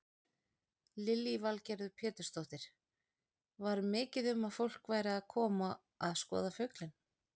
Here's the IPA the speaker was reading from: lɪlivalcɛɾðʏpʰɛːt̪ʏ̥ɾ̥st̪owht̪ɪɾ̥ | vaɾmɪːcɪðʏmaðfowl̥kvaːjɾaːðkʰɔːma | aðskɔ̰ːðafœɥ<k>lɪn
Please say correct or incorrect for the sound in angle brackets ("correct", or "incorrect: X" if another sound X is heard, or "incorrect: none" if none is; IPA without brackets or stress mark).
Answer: correct